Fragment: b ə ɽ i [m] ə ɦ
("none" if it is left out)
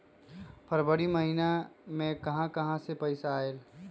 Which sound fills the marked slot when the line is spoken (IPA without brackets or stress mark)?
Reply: m